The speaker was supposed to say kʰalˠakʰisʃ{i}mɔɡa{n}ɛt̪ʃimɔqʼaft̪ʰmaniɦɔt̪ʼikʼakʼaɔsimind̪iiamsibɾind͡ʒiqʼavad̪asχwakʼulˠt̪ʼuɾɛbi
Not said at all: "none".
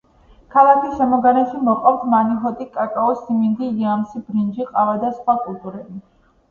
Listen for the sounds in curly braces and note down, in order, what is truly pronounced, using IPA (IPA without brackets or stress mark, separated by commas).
ɛ, n